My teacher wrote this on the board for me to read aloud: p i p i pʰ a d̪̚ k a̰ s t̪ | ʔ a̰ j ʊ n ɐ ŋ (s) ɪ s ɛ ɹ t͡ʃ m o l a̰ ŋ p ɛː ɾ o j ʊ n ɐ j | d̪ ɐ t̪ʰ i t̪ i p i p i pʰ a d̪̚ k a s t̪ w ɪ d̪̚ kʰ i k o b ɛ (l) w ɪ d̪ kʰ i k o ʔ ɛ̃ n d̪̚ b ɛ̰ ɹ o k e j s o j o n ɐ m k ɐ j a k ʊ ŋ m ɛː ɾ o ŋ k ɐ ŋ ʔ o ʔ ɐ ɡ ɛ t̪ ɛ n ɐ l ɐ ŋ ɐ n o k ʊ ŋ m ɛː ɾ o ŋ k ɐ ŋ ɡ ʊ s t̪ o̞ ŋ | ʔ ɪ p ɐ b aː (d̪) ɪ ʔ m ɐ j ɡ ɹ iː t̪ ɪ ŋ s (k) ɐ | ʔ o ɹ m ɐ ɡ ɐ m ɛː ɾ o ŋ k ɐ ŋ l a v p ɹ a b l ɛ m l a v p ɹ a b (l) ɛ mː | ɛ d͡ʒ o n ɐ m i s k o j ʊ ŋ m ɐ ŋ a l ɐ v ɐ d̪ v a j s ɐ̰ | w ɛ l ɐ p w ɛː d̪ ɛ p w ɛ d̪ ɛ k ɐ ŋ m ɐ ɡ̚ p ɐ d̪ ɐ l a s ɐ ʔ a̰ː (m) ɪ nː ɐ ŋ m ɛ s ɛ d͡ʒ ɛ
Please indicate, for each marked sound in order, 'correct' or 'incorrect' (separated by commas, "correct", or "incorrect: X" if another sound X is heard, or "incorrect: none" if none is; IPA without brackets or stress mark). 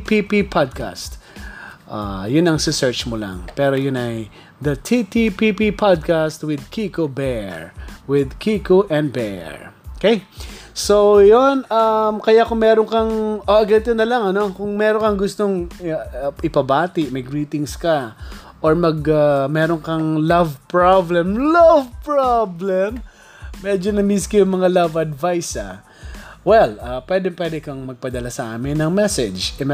correct, incorrect: ɹ, incorrect: t̪, correct, correct, correct